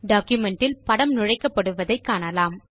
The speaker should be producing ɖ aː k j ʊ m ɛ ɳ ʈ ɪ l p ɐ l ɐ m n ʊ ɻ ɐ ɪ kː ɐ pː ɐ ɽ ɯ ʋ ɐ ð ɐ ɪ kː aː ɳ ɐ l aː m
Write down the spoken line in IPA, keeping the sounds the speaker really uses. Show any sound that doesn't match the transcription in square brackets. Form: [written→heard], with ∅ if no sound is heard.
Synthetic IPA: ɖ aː k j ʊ m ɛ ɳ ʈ ɪ l p ɐ [l→ɽ] ɐ m n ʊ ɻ ɐ ɪ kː ɐ pː ɐ ɽ ɯ ʋ ɐ ð ɐ ɪ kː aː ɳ ɐ l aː m